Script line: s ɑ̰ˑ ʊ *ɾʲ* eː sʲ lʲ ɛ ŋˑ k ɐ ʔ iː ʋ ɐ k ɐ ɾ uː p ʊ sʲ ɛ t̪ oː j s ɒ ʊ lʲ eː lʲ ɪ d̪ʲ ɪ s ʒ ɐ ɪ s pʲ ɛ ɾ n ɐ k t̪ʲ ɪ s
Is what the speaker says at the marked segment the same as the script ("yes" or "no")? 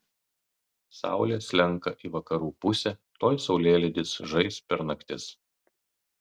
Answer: no